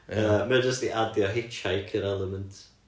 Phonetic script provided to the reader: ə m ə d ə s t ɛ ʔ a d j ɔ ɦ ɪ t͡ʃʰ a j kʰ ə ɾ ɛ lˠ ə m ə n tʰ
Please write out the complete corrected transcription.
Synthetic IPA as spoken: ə m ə d͡ʒ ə s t i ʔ a d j ɔ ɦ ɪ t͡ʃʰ a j kʰ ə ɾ ɛ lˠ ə m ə n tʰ